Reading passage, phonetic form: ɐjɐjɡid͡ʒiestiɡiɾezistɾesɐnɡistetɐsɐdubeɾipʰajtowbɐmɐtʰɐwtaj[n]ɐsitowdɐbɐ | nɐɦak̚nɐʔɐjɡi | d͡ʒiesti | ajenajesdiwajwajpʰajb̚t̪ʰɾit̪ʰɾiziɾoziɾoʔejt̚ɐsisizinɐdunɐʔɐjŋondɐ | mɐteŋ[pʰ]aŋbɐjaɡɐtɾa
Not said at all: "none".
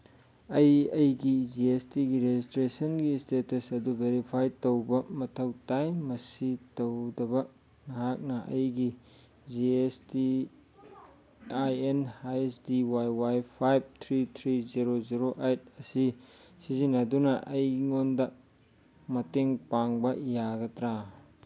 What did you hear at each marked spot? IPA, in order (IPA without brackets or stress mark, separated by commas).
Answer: m, p